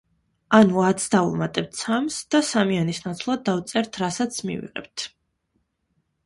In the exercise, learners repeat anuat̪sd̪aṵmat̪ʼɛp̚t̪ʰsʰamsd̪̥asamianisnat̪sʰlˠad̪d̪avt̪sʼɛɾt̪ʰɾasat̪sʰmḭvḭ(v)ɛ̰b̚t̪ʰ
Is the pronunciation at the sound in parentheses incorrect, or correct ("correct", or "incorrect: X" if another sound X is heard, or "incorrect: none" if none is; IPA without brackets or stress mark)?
incorrect: ʁ